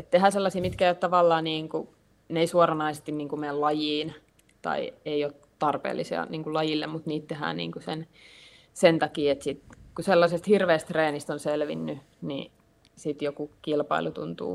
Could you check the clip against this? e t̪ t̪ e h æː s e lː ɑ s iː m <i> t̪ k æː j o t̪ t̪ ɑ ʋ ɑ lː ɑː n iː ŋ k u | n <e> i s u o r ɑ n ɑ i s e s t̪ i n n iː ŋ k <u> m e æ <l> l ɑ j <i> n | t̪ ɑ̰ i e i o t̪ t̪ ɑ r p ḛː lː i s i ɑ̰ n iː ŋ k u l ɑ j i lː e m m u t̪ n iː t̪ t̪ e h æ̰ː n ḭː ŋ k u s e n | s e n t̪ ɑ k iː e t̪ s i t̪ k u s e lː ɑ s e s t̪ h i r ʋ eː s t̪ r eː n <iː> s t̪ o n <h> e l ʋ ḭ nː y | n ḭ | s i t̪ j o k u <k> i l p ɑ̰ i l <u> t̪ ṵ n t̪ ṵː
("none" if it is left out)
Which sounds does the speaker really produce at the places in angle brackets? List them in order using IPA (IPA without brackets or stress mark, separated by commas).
i, e, u, l, iː, i, s, k, u